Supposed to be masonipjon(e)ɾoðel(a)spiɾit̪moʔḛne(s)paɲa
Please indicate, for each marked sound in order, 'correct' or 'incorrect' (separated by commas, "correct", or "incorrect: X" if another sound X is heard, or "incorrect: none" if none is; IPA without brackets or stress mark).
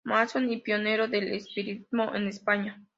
correct, incorrect: e, correct